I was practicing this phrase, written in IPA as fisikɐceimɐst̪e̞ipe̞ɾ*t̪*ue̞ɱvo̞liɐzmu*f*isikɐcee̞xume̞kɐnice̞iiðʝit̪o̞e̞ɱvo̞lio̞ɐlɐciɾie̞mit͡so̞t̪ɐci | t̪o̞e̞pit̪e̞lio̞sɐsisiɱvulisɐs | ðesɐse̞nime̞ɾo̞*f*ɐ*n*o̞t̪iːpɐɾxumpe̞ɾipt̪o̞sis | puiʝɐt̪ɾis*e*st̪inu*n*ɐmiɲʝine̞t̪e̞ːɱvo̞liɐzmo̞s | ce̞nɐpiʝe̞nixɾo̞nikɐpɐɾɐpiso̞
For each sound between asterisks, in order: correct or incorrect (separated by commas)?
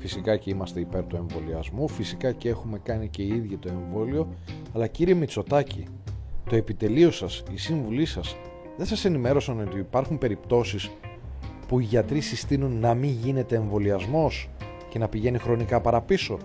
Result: correct, correct, incorrect, correct, incorrect, incorrect